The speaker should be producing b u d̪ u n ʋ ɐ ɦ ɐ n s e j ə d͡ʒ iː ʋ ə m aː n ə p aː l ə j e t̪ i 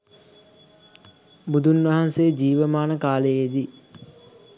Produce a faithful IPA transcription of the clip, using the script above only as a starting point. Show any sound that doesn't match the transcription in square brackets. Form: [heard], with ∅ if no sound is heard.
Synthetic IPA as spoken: b u d̪ u n ʋ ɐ ɦ [a] n s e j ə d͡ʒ iː ʋ ə m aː n ə [k] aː l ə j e [d̪] i